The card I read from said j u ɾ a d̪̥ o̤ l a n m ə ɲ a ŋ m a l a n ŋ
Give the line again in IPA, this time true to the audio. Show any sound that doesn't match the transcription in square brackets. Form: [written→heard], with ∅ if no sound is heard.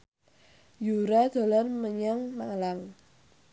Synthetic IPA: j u ɾ a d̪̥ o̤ l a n m ə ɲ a ŋ m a l a [n→∅] ŋ